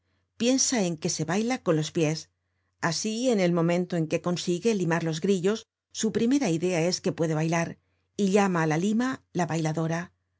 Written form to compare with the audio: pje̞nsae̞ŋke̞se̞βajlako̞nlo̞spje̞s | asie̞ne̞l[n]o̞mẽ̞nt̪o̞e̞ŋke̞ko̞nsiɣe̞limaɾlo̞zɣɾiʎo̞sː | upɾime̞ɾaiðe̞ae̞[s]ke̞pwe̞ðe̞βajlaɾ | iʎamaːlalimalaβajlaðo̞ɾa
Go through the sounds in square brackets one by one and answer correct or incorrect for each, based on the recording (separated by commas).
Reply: incorrect, correct